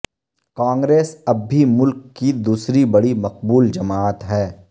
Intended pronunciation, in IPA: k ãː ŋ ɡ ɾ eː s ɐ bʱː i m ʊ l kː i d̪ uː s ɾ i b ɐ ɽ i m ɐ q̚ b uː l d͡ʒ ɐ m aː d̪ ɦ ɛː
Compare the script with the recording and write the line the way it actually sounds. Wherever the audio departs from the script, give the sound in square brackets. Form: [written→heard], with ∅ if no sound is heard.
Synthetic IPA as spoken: k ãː ŋ ɡ ɾ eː s ɐ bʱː i m ʊ l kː i d̪ uː s ɾ i b ɐ ɽ i m ɐ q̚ b uː l d͡ʒ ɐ m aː [d̪→t̪] ɦ ɛː